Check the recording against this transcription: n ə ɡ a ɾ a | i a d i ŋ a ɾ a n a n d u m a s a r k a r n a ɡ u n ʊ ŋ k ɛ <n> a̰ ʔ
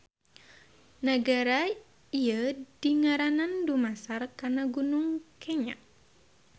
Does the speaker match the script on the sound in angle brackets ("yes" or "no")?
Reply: no